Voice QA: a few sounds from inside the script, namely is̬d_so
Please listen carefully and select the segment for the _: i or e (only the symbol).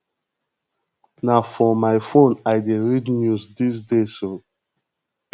e